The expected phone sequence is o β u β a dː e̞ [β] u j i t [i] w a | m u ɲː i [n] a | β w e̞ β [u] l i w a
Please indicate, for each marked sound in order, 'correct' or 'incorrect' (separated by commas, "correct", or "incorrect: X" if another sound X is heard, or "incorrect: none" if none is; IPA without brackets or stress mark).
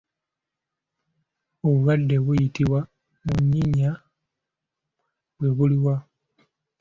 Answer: correct, correct, incorrect: ɲ, correct